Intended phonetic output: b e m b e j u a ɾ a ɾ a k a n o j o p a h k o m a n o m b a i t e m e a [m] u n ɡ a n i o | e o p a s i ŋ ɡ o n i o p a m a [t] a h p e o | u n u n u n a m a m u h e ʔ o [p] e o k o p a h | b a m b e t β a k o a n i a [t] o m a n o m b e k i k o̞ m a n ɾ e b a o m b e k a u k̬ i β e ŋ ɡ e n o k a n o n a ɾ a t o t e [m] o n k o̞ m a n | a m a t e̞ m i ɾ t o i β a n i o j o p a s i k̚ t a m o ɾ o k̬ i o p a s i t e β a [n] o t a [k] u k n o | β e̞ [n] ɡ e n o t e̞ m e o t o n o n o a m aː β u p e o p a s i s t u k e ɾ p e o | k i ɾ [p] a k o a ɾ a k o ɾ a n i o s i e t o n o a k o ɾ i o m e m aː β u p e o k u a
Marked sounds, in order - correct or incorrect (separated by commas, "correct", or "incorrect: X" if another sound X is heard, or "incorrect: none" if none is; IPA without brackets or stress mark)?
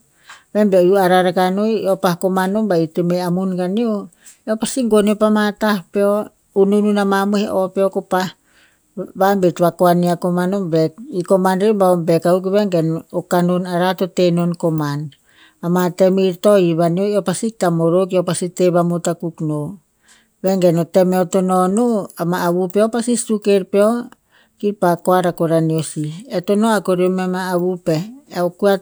correct, correct, correct, incorrect: k, incorrect: n, incorrect: m, correct, incorrect: ŋ, correct